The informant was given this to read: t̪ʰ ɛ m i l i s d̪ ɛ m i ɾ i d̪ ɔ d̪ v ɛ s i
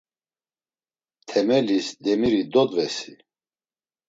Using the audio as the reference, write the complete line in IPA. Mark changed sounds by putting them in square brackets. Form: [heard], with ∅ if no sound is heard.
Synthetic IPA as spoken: t̪ʰ ɛ m [ɛ] l i s d̪ ɛ m i ɾ i d̪ ɔ d̪ v ɛ s i